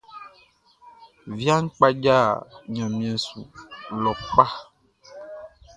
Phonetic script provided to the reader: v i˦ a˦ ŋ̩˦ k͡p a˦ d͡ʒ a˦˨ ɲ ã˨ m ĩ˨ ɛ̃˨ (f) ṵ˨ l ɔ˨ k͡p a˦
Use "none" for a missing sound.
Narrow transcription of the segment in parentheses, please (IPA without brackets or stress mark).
s